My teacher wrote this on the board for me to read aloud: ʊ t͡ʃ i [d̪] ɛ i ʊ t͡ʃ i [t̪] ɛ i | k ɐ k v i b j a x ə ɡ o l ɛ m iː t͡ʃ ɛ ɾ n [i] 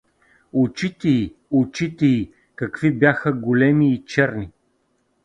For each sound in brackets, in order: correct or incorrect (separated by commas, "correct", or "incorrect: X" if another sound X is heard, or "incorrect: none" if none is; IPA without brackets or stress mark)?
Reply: incorrect: t̪, correct, correct